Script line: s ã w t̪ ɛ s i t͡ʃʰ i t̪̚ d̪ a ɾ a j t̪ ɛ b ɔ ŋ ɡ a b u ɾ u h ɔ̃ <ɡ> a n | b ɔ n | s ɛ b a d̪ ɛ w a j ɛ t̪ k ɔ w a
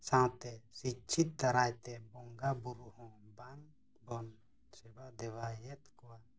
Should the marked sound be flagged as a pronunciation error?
yes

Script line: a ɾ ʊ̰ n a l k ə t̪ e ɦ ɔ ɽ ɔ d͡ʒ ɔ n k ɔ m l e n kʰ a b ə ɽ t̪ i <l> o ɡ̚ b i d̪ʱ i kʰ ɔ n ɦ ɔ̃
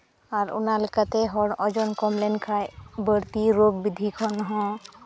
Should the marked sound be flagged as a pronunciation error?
yes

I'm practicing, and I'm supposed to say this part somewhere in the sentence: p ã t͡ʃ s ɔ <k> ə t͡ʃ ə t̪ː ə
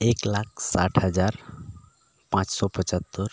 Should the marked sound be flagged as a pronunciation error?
yes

